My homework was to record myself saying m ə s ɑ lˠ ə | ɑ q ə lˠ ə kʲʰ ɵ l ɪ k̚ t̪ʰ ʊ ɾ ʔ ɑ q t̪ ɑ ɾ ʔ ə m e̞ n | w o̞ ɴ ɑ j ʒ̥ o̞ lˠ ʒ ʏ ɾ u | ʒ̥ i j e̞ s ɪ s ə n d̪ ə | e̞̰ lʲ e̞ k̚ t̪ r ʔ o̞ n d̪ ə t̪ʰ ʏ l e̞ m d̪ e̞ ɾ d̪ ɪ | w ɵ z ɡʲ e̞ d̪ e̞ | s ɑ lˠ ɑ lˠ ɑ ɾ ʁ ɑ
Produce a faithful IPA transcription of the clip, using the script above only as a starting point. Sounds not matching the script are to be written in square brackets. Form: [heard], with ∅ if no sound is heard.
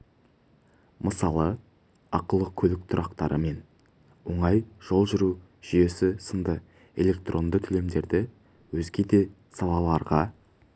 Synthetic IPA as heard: m ə s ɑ lˠ ə | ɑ q ə lˠ ə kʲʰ ɵ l ɪ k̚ t̪ʰ ʊ ɾ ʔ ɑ q t̪ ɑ ɾ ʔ ə m e̞ n | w o̞ ɴ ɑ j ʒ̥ o̞ lˠ ʒ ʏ ɾ u | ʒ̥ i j e̞ s ɪ s ə n d̪ ə | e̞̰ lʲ e̞ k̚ t̪ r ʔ o̞ n d̪ ə t̪ʰ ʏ l e̞ m d̪ e̞ ɾ d̪ ɪ | w ɵ z ɡʲ e̞ d̪ e̞ | s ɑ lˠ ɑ lˠ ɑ ɾ ʁ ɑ